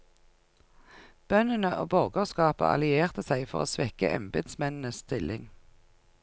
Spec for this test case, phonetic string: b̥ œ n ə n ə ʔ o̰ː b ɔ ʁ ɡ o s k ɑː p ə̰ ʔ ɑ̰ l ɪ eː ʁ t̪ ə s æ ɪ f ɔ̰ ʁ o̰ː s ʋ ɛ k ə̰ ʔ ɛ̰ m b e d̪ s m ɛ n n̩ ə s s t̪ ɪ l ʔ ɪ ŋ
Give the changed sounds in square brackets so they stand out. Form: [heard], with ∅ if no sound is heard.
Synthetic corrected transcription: b̥ œ n ə n ə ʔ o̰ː b ɔ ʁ ɡ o s k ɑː p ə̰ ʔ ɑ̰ l ɪ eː ʁ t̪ ə s æ ɪ f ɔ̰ ʁ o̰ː s ʋ ɛ k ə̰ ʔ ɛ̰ m b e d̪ s m ɛ n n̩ ə s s t̪ ɪ l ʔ ɪ ŋ